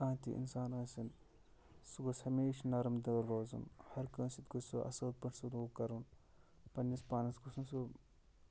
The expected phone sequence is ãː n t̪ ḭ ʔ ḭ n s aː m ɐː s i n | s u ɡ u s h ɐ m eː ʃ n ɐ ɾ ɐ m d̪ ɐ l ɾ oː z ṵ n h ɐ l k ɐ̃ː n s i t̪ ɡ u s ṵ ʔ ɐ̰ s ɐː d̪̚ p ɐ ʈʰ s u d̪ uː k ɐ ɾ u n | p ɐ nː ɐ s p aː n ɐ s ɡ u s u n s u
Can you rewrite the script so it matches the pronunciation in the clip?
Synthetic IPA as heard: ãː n t̪ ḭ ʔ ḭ n s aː n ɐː s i n | s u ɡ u s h ɐ m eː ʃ n ɐ ɾ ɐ m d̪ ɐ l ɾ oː z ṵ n h ɐ ɾ k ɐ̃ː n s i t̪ ɡ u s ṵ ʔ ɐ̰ s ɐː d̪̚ p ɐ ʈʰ s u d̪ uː k ɐ ɾ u n | p ɐ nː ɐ s p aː n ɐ s ɡ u s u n s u